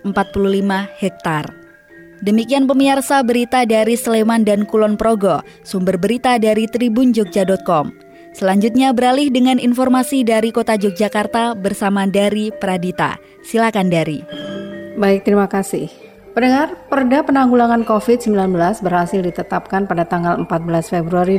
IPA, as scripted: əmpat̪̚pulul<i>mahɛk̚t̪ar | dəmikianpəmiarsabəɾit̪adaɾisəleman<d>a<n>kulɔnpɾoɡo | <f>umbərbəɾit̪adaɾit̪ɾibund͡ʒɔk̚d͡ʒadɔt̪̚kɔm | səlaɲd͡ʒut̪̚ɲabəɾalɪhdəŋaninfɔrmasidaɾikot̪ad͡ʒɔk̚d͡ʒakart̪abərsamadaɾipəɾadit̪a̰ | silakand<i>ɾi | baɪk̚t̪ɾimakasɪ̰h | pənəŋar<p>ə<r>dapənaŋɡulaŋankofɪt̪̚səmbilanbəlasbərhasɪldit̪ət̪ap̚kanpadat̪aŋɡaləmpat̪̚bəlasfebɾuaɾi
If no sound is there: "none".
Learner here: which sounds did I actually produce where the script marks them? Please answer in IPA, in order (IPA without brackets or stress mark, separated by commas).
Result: i, d, n, s, a, p, r